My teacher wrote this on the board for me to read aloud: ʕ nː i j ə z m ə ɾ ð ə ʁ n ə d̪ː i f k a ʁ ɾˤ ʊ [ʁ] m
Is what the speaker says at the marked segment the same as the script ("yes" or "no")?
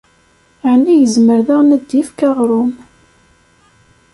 no